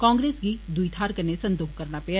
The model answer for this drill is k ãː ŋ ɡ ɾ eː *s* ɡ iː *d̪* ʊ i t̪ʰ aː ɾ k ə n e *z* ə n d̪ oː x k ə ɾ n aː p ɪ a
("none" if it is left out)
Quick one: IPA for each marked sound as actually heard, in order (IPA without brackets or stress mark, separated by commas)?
s, d̪, s